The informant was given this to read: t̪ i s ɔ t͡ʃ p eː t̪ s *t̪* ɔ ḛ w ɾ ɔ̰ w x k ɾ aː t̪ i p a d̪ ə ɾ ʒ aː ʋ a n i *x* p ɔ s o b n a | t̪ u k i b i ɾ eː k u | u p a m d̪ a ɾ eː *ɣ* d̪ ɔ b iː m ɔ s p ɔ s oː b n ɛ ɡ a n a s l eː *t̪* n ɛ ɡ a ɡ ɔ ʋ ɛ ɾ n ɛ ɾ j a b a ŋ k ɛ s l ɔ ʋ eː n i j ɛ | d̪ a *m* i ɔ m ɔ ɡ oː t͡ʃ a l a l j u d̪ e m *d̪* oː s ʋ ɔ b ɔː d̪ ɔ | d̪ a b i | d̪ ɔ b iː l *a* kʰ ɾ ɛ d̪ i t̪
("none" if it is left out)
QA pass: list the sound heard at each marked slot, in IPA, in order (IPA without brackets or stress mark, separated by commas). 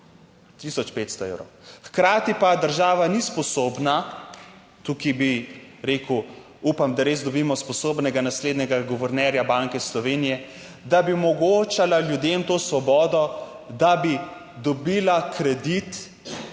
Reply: t̪, s, z, d̪, b, t̪, a